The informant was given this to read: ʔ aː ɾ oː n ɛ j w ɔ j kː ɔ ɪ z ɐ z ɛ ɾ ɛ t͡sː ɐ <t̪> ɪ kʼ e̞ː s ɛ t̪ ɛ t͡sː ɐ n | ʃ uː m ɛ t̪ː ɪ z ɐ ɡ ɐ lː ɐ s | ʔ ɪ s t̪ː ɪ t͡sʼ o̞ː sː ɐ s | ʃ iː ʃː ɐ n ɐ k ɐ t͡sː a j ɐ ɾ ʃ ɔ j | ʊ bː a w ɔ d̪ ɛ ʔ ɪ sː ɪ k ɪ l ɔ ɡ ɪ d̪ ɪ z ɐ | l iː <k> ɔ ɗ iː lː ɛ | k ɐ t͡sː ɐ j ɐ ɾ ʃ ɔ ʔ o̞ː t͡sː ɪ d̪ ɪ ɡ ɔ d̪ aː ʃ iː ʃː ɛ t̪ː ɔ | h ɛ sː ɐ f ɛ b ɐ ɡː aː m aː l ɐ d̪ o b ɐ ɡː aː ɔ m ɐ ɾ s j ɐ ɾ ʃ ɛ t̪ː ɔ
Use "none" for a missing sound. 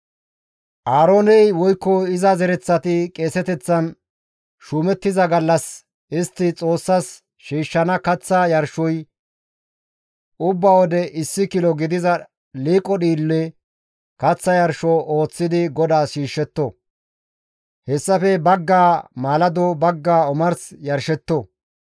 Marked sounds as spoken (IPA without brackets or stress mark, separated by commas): t̪, kʼ